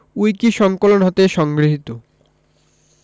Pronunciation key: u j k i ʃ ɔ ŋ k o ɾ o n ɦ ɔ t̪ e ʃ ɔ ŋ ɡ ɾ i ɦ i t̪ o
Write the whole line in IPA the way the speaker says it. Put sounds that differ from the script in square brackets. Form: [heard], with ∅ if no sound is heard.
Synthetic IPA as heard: u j k i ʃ ɔ ŋ k o [l] o n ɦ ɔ t̪ e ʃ ɔ ŋ ɡ ɾ i ɦ i t̪ o